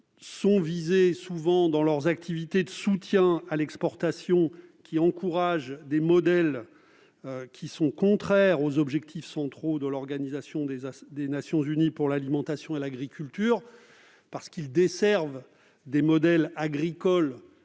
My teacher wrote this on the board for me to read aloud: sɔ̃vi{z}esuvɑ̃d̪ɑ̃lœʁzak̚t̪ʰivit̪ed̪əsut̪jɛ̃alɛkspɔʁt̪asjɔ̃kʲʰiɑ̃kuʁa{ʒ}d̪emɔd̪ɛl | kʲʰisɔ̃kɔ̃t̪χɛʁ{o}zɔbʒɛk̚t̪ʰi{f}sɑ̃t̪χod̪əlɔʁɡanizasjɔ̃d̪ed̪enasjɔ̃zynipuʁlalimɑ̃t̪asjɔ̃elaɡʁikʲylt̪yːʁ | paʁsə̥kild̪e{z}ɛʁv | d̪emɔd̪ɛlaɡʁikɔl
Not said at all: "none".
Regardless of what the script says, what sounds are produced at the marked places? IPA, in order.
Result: z, ʒ, o, f, s

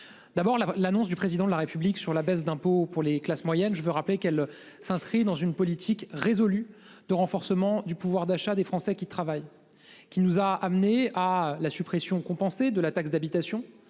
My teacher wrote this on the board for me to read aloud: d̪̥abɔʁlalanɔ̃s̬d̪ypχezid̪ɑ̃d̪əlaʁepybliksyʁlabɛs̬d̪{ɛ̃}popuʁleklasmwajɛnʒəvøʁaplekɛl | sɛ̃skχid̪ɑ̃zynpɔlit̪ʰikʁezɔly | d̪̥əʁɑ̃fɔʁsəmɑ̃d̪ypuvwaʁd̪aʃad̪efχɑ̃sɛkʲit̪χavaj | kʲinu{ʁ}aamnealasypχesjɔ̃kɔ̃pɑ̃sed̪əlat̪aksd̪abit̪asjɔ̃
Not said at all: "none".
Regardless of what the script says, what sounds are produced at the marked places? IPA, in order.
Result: ɛ̃, z

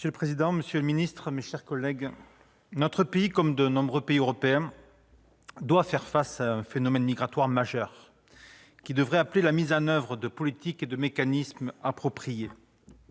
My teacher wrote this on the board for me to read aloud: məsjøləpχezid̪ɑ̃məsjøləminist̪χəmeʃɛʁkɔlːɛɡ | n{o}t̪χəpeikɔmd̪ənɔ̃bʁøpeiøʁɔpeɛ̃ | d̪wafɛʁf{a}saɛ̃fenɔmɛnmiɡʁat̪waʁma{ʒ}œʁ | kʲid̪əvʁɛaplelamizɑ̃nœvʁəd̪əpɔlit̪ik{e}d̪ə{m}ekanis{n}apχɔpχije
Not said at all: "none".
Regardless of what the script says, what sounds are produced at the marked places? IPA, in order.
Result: ɔ, a, ʒ, e, m, m

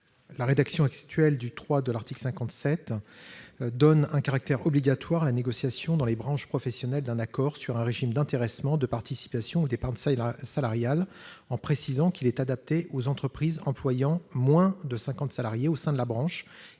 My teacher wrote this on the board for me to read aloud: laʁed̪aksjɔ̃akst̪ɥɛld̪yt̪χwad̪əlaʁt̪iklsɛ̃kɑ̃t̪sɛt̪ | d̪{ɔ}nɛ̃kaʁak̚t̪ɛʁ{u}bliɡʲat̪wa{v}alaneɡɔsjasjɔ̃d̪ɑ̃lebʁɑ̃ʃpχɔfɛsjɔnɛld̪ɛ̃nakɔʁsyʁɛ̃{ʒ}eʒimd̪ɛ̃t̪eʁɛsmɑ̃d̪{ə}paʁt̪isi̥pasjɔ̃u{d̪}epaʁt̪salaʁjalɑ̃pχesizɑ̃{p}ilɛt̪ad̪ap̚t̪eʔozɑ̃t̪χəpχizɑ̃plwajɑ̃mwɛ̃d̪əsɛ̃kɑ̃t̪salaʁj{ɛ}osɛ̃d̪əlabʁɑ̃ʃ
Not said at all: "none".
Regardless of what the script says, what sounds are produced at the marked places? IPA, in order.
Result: ɔ, ɔ, ʁ, ʁ, ə, d̪, k, e

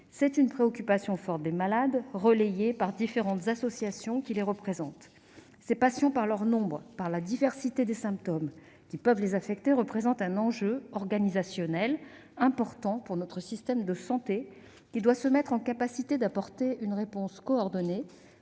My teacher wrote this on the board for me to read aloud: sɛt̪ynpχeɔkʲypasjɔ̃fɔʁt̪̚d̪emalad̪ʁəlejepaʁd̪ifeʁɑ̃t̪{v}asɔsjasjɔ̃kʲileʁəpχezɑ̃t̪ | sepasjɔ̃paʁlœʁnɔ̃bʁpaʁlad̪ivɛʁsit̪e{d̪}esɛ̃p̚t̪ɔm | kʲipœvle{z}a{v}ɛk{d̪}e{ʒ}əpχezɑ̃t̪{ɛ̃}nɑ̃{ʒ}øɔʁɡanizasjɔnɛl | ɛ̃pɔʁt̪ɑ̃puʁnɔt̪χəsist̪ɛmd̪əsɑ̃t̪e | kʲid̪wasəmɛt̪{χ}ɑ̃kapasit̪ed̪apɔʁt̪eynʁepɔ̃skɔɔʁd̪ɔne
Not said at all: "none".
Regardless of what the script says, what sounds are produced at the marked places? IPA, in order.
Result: z, d̪, z, f, t̪, ʁ, ɛ̃, ʒ, χ

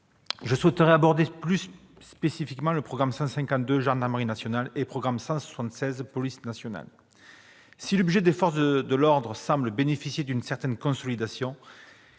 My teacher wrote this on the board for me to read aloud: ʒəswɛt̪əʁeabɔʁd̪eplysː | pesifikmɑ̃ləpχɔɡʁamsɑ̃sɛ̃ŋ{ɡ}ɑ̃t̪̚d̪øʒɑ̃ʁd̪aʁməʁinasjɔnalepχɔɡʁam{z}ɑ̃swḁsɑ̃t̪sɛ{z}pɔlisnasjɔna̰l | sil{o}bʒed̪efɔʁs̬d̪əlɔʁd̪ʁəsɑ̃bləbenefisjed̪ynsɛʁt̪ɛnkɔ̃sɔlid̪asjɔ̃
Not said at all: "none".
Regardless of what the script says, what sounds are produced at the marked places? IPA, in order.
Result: k, s, z, ɔ

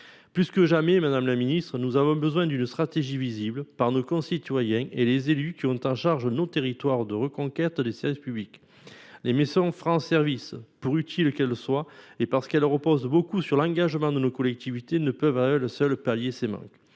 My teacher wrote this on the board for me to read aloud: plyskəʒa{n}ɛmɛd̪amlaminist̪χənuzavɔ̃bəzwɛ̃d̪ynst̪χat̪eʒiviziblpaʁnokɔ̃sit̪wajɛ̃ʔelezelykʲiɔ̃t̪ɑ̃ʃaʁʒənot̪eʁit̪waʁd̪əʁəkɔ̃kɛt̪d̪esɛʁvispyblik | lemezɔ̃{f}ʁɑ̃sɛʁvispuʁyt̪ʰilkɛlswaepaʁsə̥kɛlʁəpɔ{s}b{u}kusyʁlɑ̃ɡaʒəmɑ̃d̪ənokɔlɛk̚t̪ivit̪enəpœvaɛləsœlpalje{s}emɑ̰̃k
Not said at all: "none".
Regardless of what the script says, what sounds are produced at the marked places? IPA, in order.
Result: m, f, z, o, s

